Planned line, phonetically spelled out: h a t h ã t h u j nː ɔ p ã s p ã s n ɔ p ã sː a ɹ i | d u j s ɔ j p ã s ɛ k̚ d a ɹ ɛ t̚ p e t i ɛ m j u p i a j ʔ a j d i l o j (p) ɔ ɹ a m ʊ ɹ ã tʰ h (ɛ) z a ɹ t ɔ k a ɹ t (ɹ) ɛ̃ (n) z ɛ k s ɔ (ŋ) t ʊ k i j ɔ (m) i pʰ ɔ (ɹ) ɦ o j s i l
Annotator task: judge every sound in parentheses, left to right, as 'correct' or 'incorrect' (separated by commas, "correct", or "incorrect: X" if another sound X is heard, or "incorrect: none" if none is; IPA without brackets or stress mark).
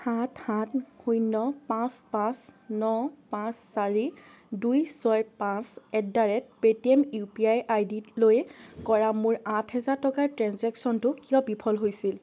incorrect: k, correct, correct, correct, incorrect: n, incorrect: b, incorrect: l